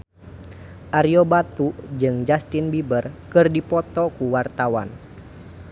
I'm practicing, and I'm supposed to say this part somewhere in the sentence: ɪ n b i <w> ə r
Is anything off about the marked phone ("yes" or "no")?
yes